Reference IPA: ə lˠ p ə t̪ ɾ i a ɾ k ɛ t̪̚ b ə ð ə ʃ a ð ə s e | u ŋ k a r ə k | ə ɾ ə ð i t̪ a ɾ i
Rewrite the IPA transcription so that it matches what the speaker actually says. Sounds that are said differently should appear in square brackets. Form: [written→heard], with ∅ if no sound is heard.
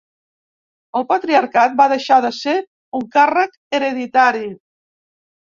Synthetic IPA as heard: ə lˠ p ə t̪ ɾ i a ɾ k [ɛ→a] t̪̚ b [ə→a] ð ə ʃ a ð ə s e | u ŋ k a r ə k | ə ɾ ə ð i t̪ a ɾ i